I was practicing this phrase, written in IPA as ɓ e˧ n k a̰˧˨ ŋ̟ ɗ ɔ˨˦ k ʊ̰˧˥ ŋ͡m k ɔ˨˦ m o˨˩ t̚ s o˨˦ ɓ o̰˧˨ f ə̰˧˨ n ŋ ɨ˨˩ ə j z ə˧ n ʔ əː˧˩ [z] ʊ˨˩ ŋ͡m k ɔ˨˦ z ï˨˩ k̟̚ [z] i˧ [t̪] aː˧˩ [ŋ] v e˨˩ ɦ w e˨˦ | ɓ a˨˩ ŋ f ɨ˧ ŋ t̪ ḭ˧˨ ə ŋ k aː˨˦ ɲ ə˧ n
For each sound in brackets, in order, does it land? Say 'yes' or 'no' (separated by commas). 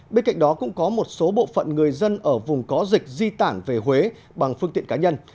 no, yes, yes, no